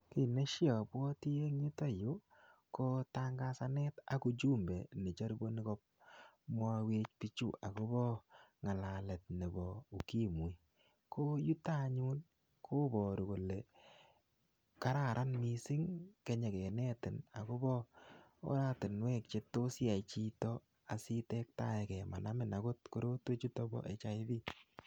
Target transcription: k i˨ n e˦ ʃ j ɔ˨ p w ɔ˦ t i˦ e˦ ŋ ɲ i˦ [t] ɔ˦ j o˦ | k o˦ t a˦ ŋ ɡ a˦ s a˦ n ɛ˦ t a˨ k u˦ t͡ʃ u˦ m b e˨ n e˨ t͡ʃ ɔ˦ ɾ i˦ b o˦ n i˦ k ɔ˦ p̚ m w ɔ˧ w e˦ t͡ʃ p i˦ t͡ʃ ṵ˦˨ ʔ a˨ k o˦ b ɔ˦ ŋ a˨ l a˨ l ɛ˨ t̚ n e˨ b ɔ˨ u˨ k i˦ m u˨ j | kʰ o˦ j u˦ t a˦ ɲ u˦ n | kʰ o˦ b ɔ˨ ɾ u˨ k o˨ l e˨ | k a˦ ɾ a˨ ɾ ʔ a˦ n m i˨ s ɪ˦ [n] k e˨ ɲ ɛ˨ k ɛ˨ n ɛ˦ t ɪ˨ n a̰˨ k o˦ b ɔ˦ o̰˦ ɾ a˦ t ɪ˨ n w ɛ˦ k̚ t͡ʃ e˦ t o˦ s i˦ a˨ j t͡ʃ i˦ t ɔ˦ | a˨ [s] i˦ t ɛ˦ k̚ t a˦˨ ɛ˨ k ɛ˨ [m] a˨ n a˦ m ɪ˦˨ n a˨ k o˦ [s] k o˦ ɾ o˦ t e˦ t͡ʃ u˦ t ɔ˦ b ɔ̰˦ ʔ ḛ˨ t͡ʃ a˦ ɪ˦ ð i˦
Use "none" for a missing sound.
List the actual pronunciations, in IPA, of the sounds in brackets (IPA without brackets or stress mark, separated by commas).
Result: t, ŋ, s, m, t